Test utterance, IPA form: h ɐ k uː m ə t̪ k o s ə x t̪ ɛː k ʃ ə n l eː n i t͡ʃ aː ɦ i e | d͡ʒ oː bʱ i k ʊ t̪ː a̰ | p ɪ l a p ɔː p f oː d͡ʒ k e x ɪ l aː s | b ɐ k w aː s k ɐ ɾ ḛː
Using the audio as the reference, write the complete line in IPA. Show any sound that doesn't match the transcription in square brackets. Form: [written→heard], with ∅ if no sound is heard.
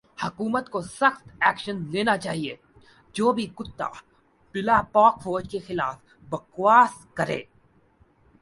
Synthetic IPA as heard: h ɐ k uː m ə t̪ k o s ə x t̪ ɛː k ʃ ə n l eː n [i→a] t͡ʃ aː ɦ i e | d͡ʒ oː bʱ i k ʊ t̪ː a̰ | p ɪ l a p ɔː [p→k] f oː d͡ʒ k e x ɪ l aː [s→f] | b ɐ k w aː s k ɐ ɾ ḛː